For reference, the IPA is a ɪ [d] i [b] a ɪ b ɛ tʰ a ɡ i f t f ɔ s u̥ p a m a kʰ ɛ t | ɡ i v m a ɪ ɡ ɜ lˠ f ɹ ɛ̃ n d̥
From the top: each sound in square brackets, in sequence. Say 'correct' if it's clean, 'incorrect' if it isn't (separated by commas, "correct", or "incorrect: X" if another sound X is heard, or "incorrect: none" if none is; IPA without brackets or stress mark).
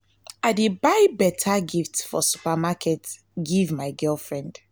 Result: correct, correct